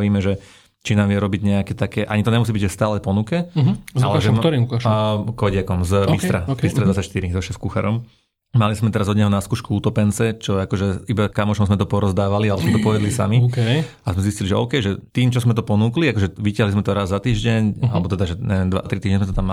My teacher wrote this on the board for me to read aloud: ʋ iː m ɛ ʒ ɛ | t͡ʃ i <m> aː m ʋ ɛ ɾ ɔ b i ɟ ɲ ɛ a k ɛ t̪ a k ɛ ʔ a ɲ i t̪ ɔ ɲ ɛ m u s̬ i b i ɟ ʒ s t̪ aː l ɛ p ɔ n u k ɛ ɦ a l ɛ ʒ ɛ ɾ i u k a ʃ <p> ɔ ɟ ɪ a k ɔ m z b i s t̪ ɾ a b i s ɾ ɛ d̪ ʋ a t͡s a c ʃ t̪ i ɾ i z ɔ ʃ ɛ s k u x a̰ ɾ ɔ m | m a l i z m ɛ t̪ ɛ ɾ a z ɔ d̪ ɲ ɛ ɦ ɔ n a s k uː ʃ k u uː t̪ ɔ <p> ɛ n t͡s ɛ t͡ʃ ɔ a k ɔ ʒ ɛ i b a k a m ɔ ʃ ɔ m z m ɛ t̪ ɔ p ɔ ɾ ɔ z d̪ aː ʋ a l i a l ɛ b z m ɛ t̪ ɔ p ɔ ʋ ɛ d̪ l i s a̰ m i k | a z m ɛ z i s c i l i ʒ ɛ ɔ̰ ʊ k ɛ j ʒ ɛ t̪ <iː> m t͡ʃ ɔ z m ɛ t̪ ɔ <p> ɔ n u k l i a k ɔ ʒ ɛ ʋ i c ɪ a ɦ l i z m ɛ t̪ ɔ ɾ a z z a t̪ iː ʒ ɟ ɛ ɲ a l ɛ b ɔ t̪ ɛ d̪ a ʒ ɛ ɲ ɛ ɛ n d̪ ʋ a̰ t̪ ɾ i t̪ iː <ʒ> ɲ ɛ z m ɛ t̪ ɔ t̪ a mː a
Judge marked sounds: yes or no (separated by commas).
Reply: no, no, yes, yes, yes, yes